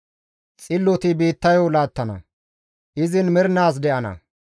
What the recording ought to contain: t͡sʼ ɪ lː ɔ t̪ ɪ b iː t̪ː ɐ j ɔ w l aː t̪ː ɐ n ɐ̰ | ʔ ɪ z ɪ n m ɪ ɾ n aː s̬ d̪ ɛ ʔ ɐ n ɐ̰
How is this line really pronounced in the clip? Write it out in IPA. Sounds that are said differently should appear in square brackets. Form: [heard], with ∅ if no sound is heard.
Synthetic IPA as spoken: t͡sʼ ɪ lː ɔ t̪ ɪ b iː t̪ː ɐ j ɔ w l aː t̪ː ɐ n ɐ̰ | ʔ ɪ z ɪ n m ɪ ɾ n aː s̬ d̪ ɛ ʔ ɐ n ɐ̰